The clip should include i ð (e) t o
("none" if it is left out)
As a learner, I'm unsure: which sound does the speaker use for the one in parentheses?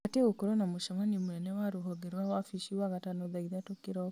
a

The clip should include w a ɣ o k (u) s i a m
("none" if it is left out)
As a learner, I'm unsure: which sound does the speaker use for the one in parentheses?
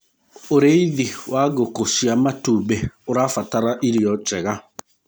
o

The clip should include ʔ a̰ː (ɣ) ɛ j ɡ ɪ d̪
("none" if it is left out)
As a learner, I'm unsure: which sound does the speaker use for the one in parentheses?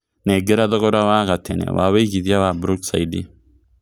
w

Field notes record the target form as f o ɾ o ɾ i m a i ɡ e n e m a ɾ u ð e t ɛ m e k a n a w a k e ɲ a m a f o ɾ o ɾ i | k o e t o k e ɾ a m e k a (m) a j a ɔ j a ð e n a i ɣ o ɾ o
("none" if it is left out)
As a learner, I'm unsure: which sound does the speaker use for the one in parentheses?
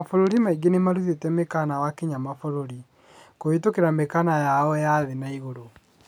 n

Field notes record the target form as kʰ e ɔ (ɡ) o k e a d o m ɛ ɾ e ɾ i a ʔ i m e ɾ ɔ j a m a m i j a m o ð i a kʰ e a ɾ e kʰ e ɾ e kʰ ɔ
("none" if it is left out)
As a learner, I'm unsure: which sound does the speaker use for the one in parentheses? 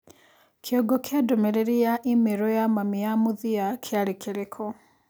ɡ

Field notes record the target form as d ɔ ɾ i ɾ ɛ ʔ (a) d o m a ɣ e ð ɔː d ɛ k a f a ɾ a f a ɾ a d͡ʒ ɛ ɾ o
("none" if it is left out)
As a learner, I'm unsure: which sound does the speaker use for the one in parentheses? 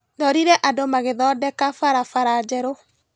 a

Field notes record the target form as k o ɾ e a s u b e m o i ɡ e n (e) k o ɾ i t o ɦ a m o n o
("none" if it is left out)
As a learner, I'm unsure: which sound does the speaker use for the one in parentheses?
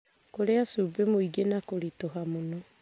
a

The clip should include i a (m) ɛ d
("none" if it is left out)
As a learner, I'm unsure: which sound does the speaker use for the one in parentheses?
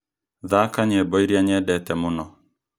ɲ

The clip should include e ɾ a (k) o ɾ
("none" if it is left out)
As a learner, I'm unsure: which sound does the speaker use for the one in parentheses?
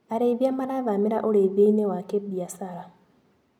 ʔ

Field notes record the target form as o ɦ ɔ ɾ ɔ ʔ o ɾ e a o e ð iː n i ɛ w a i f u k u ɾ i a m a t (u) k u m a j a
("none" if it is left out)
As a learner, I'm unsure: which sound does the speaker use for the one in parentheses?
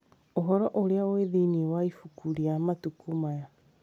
u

